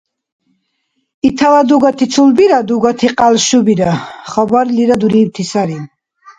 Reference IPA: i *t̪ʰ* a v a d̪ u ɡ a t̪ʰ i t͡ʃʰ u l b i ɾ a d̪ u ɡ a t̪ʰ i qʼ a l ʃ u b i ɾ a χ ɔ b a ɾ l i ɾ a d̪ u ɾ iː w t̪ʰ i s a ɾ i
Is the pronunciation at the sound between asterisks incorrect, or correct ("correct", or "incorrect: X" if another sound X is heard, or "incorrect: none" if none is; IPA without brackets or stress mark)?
correct